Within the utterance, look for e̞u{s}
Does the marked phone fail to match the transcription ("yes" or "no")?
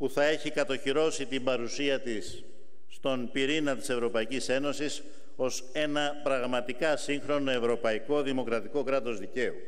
yes